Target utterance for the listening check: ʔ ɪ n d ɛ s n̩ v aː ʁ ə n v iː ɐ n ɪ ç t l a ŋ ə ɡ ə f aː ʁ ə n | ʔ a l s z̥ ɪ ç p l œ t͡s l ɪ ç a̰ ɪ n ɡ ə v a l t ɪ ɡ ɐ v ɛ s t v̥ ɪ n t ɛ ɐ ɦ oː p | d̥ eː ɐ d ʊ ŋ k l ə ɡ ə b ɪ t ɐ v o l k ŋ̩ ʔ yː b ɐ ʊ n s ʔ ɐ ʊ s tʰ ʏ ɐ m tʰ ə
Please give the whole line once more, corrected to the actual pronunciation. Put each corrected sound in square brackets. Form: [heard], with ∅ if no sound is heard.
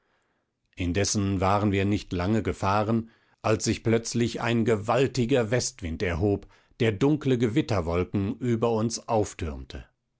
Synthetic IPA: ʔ ɪ n d ɛ s n̩ v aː ʁ ə n v iː ɐ n ɪ ç t l a ŋ ə ɡ ə f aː ʁ ə n | ʔ a l s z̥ ɪ ç p l œ t͡s l ɪ ç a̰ ɪ n ɡ ə v a l t ɪ ɡ ɐ v ɛ s t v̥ ɪ n t ɛ ɐ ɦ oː p | d̥ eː ɐ d ʊ ŋ k l ə ɡ ə [v] ɪ t ɐ v [ɔ] l k ŋ̩ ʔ yː b ɐ ʊ n s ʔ [a] ʊ [f] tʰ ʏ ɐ m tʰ ə